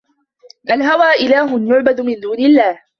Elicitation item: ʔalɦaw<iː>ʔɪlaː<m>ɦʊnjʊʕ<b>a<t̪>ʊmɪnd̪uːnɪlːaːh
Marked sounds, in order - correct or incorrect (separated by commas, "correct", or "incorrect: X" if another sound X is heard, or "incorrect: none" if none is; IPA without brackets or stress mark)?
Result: incorrect: aː, incorrect: none, correct, incorrect: d̪